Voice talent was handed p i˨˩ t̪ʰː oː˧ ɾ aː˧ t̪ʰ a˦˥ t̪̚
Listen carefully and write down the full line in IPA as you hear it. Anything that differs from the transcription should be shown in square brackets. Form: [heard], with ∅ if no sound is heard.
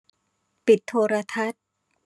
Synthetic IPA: p i˨˩ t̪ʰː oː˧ ɾ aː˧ t̪ʰ a˦˥ t̪̚